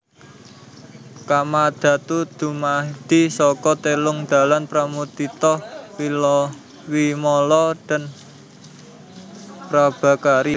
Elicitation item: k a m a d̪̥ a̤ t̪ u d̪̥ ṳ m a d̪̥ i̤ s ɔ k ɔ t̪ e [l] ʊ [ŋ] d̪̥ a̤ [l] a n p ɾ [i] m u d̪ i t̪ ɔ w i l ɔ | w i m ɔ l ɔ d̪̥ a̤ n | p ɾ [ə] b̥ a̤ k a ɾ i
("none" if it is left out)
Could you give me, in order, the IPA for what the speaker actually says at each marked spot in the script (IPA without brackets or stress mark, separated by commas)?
l, ŋ, l, a, a